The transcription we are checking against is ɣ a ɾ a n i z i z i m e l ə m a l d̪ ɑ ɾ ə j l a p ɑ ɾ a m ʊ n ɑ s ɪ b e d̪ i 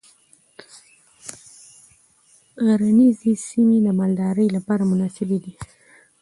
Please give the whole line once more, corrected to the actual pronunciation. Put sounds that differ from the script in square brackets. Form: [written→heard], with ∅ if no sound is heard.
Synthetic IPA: ɣ a ɾ a n i z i [z→s] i m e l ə m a l d̪ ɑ ɾ ə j l a p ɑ ɾ a m ʊ n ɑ s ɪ b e d̪ i